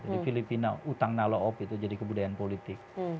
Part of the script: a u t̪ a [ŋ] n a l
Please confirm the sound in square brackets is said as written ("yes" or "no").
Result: yes